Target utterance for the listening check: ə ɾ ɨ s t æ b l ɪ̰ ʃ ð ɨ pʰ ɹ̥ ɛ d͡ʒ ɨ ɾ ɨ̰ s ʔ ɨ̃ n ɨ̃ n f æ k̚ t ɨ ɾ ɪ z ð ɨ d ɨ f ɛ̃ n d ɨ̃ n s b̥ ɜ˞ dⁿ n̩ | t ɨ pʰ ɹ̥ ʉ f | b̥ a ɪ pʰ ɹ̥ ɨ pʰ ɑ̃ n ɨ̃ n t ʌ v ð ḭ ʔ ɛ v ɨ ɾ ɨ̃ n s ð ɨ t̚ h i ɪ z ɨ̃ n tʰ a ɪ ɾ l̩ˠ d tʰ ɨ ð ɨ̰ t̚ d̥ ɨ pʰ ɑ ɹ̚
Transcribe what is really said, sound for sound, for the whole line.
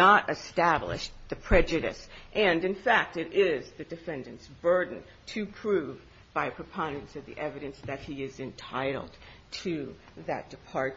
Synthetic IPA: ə ɾ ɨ s t æ b l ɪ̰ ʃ ð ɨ pʰ ɹ̥ ɛ d͡ʒ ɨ ɾ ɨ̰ s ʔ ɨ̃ n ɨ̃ n f æ k̚ t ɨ ɾ ɪ z ð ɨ d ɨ f ɛ̃ n d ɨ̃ n s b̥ ɜ˞ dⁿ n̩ | tʰ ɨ pʰ ɹ̥ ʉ v | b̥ a ɪ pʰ ɹ̥ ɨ pʰ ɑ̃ n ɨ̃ n s ʌ v ð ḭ ʔ ɛ v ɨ ɾ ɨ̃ n s ð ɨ t̚ h i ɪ z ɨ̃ n tʰ a ɪ ɾ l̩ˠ d tʰ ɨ ð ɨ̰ t̚ d̥ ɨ pʰ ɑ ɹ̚